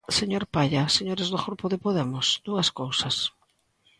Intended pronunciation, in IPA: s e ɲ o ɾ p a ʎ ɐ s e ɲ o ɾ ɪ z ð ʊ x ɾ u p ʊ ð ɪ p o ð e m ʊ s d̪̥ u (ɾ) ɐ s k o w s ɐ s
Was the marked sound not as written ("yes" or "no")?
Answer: yes